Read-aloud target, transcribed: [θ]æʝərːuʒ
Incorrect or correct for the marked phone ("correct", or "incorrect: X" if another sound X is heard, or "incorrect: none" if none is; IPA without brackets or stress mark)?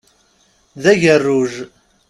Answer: incorrect: ð